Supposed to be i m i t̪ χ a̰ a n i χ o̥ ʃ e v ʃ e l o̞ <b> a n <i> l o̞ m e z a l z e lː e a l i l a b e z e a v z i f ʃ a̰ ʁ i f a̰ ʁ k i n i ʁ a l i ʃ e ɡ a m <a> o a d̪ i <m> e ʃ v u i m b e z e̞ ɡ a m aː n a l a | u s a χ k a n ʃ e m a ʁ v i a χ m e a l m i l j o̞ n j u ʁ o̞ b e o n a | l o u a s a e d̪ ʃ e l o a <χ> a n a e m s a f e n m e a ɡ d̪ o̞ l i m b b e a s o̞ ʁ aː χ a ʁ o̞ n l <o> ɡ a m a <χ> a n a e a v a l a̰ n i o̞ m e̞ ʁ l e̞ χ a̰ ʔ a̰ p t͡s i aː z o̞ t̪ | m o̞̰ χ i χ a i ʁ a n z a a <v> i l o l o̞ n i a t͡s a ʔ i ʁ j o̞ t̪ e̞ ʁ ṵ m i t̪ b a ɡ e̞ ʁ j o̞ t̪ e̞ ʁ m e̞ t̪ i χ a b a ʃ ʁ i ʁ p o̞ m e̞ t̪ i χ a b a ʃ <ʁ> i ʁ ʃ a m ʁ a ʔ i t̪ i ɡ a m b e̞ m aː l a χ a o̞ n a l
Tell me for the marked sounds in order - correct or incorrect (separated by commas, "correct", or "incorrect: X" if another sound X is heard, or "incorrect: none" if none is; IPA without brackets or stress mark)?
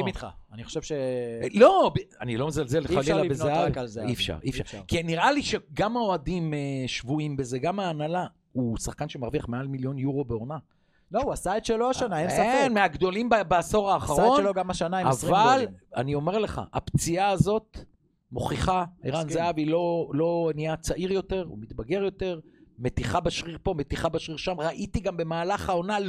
correct, correct, correct, correct, incorrect: ʃ, correct, incorrect: ʃ, correct, correct